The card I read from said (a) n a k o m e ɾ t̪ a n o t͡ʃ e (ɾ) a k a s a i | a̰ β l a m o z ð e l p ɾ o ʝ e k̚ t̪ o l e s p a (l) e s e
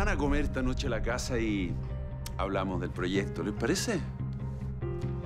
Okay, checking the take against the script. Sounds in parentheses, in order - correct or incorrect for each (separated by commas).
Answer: correct, incorrect, incorrect